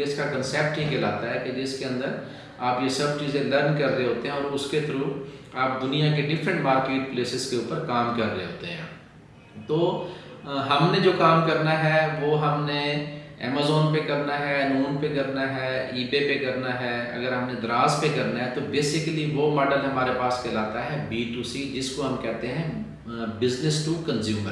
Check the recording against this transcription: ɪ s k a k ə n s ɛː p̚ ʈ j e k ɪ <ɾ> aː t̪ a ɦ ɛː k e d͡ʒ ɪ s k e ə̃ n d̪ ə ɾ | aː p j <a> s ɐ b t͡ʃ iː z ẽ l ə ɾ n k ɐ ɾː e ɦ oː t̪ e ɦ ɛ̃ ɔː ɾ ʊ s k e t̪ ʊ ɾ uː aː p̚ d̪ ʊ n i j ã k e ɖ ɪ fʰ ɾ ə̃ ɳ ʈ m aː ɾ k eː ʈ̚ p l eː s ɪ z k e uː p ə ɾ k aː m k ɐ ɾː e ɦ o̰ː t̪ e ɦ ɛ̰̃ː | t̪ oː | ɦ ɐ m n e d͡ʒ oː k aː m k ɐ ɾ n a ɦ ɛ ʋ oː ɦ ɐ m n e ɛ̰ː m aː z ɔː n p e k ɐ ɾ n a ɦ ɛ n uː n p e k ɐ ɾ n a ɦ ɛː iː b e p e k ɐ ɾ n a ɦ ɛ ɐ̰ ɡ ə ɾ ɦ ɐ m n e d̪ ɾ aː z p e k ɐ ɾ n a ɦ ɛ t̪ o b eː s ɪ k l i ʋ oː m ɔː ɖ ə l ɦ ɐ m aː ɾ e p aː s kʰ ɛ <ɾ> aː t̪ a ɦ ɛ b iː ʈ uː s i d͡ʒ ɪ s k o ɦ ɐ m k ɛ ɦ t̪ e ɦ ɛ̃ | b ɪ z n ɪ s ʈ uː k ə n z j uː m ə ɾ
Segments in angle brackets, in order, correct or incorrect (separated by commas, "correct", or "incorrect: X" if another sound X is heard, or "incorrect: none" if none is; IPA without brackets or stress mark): incorrect: l, incorrect: e, incorrect: l